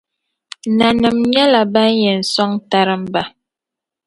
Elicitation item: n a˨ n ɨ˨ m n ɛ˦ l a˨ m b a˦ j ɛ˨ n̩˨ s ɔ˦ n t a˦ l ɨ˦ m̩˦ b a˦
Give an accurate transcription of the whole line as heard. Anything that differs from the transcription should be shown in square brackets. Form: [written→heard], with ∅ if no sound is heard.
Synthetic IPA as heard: n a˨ n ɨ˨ m [n→ɲ] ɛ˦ l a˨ [m→∅] b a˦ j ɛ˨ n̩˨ s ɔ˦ [n→ŋ] t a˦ [l→ɾ] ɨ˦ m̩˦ b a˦